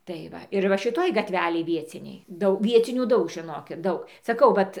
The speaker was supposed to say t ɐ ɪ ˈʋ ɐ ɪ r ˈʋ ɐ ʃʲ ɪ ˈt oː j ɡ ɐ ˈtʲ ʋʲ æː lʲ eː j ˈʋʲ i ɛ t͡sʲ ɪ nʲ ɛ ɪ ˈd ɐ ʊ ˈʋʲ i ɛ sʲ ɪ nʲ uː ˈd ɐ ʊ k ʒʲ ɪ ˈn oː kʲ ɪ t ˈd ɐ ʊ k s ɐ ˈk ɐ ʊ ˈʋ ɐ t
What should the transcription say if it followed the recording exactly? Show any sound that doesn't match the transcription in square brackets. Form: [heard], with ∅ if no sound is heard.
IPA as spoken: t ɐ ɪ ˈʋ ɐ ɪ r ˈʋ ɐ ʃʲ ɪ ˈt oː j ɡ ɐ ˈtʲ ʋʲ æː lʲ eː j ˈʋʲ i ɛ t͡sʲ ɪ nʲ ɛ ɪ ˈd ɐ ʊ ˈʋʲ i ɛ [t͡sʲ] ɪ nʲ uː ˈd ɐ ʊ k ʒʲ ɪ ˈn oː kʲ ɪ t ˈd ɐ ʊ k s ɐ ˈk ɐ ʊ ˈʋ ɐ t